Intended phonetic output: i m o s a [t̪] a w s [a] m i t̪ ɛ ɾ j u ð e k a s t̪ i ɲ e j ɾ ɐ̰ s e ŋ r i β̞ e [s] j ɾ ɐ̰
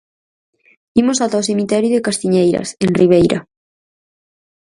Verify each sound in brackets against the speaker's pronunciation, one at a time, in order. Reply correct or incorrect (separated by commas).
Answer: correct, incorrect, incorrect